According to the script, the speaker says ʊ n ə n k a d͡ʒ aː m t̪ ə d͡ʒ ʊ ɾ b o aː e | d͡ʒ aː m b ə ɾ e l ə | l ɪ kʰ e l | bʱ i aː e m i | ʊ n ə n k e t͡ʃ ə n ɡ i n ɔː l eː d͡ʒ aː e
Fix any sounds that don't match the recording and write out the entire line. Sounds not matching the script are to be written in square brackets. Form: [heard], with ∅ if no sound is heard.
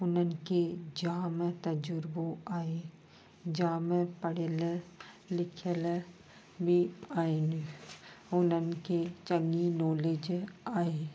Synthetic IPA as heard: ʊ n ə n k [e] d͡ʒ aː m t̪ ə d͡ʒ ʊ ɾ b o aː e | d͡ʒ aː m [p] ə [ɽ] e l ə | l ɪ kʰ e l | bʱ i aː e [n] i | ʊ n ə n k e t͡ʃ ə [ŋ] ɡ i n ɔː l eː d͡ʒ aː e